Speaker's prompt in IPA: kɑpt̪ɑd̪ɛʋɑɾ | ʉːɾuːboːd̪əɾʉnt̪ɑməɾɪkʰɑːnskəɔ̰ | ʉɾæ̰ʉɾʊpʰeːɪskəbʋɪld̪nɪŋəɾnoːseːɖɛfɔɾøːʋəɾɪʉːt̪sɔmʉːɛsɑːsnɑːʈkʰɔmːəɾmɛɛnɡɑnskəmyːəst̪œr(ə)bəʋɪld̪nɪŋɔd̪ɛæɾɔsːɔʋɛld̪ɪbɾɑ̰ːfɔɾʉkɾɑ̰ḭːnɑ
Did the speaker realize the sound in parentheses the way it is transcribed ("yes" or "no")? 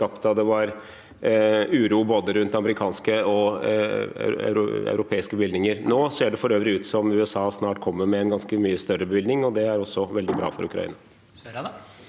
yes